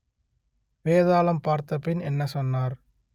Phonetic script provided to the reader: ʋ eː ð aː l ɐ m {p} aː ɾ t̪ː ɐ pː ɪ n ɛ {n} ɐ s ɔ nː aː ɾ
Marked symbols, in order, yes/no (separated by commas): yes, no